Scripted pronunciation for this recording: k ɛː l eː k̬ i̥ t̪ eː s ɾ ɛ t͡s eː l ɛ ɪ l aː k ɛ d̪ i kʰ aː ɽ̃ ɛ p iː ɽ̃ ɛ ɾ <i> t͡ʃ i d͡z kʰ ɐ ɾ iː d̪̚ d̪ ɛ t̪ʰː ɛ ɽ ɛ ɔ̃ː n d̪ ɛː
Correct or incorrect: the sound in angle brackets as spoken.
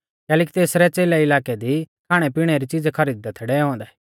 correct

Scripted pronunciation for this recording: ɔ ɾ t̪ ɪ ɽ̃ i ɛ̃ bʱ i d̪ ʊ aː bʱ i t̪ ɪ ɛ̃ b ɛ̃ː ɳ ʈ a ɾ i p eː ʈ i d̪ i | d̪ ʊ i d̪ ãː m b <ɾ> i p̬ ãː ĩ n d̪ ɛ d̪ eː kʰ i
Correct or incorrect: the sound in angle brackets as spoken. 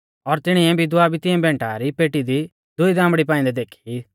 incorrect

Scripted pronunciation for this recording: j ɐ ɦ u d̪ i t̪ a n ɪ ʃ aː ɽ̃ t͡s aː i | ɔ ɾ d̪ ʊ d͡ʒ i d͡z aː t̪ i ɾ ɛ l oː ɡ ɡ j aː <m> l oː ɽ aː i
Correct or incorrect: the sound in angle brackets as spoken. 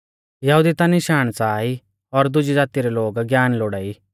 incorrect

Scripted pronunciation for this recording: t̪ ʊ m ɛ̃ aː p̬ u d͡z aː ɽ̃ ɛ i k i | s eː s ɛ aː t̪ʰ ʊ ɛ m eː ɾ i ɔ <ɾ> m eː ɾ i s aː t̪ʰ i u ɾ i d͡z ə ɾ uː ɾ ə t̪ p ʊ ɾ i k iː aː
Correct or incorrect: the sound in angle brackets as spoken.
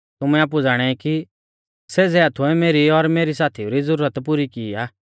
correct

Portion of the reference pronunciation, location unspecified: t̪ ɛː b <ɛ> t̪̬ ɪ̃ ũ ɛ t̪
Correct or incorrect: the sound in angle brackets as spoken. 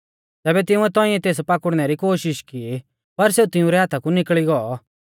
correct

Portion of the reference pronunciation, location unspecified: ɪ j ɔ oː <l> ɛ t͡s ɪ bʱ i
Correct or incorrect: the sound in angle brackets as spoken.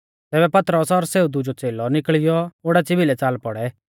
incorrect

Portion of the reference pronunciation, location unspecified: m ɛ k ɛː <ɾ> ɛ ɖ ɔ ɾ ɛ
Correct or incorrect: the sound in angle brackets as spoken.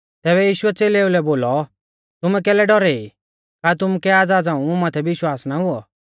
incorrect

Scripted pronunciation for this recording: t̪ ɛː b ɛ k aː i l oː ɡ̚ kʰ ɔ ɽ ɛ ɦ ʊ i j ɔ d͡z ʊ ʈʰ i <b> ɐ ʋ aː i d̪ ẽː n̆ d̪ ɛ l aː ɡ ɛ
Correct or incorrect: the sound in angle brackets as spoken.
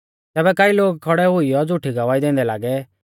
incorrect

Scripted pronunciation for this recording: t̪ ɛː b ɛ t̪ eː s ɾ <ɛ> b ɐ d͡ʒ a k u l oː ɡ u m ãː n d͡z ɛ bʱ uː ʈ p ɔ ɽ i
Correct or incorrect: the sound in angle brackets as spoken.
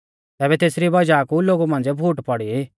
incorrect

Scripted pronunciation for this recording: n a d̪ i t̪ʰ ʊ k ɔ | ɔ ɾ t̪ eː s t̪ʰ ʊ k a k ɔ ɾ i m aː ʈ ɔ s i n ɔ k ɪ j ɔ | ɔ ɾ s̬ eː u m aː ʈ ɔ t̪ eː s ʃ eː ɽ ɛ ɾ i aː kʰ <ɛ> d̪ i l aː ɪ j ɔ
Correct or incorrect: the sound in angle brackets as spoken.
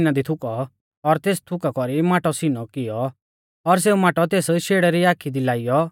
incorrect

